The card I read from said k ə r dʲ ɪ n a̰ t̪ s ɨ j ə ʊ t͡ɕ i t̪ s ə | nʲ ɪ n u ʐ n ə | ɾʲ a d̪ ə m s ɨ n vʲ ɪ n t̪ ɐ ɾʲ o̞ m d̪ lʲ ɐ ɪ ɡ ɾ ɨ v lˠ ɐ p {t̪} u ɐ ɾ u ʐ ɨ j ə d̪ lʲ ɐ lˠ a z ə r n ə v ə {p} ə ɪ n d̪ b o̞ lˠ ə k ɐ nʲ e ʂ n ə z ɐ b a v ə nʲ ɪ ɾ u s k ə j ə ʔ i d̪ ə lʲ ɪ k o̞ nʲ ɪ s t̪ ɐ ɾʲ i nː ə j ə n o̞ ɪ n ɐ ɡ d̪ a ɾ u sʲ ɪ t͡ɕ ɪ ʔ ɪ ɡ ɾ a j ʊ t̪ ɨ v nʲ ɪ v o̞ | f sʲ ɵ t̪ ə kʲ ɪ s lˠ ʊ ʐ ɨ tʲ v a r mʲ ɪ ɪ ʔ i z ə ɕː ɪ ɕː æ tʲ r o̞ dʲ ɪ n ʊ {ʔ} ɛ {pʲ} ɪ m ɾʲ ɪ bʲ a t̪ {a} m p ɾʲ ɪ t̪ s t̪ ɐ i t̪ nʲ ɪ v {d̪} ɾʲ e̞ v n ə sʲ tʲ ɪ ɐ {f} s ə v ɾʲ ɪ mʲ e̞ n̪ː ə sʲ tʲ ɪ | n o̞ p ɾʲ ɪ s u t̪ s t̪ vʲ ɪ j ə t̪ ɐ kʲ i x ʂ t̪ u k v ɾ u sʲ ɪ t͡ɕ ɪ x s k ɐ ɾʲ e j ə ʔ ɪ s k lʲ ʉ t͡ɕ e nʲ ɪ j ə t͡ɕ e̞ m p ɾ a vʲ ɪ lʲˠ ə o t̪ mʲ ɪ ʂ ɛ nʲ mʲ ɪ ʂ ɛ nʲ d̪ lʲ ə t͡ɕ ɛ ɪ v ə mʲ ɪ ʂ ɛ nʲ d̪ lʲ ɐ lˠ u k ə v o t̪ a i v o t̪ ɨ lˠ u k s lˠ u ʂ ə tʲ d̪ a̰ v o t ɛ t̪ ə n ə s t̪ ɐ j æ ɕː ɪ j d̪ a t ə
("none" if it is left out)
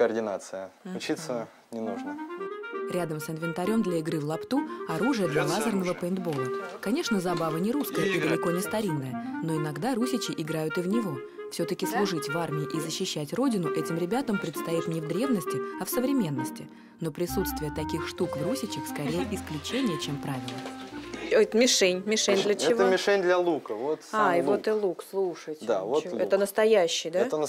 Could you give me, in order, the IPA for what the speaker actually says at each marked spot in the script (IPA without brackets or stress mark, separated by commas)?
t̪, p, ʔ, tʲ, ə, d̪, f